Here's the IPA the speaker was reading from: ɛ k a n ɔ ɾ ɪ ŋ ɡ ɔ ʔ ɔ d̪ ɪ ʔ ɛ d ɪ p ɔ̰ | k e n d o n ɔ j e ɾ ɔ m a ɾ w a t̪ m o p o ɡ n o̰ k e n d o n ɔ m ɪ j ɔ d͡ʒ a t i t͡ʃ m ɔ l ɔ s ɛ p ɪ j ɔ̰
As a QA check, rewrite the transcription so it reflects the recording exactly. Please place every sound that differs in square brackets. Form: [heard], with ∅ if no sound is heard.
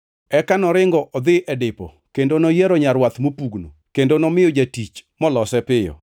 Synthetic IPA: ɛ k a n ɔ ɾ ɪ ŋ ɡ ɔ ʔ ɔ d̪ ɪ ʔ ɛ d ɪ p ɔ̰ | k e n d o n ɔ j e ɾ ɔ [ɲ] a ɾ w a t̪ m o p [u] ɡ n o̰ k e n d o n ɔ m ɪ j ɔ d͡ʒ a t i t͡ʃ m ɔ l ɔ s ɛ p ɪ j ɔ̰